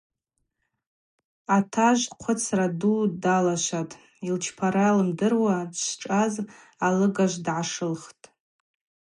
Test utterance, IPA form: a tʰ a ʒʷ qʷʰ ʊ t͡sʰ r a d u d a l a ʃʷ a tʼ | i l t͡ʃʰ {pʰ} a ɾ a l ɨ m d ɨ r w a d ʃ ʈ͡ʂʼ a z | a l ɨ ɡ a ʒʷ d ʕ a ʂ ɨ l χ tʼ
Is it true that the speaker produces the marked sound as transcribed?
yes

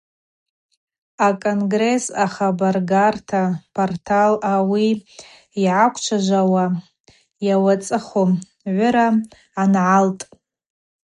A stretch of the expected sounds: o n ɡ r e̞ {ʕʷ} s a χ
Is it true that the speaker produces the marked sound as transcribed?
no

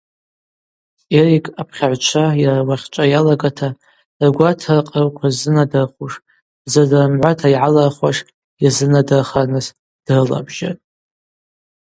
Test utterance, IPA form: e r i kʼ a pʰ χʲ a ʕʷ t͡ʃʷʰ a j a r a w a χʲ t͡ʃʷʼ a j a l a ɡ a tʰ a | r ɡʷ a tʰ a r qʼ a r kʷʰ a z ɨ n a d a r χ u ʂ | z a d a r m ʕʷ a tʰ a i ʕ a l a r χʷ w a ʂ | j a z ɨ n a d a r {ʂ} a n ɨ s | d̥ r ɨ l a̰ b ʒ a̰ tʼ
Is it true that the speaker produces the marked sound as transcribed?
no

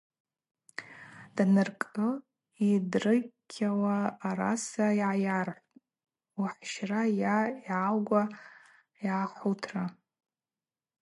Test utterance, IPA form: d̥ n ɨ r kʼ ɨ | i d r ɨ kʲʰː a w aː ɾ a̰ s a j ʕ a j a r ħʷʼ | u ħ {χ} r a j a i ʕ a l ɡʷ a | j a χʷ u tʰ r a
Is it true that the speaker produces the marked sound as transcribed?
no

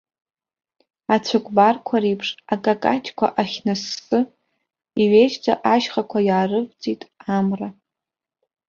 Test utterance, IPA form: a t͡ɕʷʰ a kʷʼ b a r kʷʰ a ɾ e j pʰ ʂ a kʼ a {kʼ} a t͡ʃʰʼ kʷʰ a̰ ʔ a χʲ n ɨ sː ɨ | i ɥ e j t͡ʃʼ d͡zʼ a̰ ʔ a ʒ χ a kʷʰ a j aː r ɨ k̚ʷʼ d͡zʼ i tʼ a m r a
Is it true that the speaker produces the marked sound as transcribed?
yes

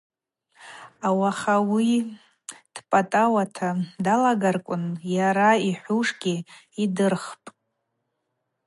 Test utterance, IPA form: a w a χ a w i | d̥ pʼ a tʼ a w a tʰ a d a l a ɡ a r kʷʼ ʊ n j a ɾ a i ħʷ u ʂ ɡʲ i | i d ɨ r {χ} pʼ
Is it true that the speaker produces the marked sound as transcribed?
yes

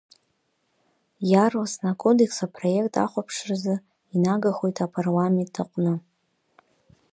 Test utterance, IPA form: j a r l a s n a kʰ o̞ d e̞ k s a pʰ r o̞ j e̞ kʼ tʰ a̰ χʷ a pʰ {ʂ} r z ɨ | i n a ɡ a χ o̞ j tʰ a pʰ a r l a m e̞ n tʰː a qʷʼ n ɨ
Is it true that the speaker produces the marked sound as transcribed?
yes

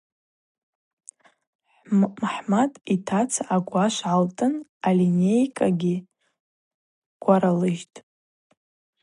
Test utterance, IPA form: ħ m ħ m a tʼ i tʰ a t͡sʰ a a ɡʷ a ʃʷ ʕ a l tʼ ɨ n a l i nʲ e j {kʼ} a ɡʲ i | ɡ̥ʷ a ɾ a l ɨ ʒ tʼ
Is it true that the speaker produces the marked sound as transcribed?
yes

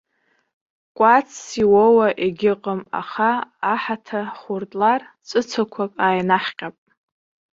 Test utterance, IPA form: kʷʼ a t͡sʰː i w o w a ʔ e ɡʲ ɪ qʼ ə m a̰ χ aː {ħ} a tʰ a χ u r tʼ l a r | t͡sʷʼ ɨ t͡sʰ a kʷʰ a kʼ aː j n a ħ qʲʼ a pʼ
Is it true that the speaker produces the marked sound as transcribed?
yes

